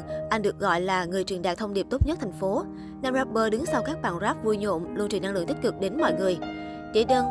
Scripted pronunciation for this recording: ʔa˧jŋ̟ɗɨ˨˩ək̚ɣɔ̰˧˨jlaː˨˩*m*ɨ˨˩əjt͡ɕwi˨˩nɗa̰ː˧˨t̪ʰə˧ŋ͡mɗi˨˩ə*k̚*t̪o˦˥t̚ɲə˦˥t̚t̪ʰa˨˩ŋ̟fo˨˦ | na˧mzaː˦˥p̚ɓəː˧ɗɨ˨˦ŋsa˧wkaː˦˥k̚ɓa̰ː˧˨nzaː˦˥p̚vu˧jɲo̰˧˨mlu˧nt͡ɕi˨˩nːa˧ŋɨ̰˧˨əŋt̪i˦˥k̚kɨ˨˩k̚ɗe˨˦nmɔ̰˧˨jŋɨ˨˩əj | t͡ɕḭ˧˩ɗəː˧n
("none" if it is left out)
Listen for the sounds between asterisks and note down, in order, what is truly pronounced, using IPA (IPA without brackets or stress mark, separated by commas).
ŋ, p̚